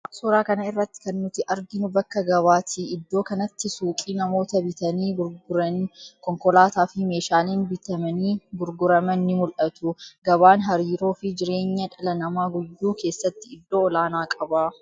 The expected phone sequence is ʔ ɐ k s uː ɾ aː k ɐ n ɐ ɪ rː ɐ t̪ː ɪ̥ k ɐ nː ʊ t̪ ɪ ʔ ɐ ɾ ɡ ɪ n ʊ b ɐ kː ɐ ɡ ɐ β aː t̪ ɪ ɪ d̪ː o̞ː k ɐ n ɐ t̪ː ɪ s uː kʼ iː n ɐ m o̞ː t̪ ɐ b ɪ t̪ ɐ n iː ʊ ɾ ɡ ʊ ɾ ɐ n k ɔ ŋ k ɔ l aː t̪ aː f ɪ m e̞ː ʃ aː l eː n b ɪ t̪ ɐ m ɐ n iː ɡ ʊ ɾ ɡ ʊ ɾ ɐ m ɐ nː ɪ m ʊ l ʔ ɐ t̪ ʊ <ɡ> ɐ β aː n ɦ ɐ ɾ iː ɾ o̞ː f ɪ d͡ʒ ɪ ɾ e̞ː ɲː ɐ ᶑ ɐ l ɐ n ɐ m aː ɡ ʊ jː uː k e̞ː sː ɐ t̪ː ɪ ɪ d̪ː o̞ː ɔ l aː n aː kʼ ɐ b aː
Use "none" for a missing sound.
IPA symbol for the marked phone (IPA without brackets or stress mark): ɡ